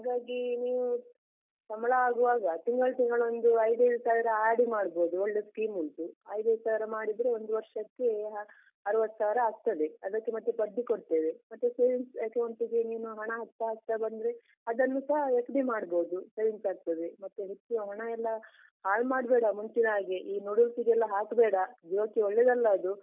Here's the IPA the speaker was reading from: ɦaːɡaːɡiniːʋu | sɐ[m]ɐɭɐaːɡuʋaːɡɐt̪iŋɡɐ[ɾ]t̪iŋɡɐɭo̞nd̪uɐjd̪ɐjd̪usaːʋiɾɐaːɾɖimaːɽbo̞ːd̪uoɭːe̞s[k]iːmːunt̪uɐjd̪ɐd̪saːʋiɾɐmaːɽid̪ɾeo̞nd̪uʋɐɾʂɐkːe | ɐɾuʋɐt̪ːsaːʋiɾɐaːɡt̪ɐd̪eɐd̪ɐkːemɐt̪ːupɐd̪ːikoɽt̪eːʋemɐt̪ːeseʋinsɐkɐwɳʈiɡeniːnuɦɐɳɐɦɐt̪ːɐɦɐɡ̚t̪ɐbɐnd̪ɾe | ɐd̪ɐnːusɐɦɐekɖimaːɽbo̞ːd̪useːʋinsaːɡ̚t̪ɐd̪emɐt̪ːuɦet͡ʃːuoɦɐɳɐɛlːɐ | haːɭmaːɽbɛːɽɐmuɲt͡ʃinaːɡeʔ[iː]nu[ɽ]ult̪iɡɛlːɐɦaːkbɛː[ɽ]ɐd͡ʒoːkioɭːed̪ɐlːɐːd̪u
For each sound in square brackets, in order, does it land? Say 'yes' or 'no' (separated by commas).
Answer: yes, no, yes, yes, yes, yes